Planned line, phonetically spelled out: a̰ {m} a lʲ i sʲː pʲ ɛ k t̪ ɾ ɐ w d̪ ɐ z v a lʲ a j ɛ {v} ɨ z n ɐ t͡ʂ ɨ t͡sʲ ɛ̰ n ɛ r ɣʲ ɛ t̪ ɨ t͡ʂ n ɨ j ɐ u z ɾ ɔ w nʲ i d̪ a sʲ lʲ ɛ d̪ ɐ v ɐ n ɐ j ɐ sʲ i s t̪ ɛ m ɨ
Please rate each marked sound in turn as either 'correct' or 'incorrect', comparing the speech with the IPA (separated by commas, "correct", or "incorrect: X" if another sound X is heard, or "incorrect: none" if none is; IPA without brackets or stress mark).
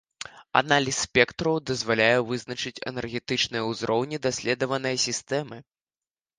incorrect: n, correct